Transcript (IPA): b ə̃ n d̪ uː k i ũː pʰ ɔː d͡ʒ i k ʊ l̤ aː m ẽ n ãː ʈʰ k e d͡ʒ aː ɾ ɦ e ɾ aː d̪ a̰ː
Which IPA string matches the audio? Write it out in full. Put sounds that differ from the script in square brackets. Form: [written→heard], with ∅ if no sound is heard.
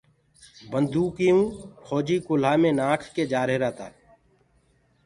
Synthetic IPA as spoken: b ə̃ n d̪ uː k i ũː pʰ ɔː d͡ʒ i k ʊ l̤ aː m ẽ n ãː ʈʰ k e d͡ʒ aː ɾ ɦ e ɾ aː [d̪→t̪] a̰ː